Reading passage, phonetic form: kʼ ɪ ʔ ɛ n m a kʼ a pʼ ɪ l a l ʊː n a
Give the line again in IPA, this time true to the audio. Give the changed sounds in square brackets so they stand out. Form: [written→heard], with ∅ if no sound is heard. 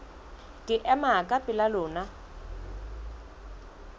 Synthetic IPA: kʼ ɪ ʔ ɛ [n→∅] m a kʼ a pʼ ɪ l a l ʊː n a